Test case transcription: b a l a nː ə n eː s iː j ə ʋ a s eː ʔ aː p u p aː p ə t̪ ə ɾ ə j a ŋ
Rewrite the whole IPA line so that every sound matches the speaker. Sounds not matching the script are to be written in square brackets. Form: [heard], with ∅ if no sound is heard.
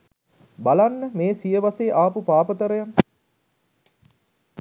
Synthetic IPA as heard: b a l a nː ə [m] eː s [i] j ə ʋ a s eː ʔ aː p u p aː p ə t̪ ə ɾ ə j a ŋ